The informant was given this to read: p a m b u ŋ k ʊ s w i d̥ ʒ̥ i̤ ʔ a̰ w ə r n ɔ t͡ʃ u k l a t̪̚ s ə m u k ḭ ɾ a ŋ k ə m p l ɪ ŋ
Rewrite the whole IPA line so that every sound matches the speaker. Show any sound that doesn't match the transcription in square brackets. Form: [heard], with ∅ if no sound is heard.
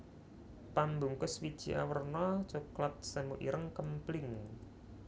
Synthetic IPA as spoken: p a m b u ŋ k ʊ s w i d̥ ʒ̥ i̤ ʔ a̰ w ə r n ɔ t͡ʃ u k l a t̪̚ s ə m u [ʔ] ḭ ɾ [ə] ŋ k ə m p l ɪ ŋ